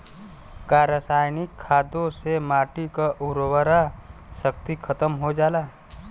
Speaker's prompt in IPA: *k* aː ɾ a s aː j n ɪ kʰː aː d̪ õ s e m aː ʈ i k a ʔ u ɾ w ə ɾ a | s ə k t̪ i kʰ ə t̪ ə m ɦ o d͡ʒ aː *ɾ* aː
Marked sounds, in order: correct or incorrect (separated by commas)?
correct, incorrect